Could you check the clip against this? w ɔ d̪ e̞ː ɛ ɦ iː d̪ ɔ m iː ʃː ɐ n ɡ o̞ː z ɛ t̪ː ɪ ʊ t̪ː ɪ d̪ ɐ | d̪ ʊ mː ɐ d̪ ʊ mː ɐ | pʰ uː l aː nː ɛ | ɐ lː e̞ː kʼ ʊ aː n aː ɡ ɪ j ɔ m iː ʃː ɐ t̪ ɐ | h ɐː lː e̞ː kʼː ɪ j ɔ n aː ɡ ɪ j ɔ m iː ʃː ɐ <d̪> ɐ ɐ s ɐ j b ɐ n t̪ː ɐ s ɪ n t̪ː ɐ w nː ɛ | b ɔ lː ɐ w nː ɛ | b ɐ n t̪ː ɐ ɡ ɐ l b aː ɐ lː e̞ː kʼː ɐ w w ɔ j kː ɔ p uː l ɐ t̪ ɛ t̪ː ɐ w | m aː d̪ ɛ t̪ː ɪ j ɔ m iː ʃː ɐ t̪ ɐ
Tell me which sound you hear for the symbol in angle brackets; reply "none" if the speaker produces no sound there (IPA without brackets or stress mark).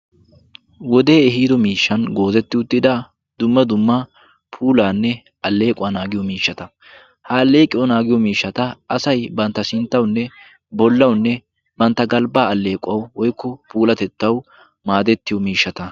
t̪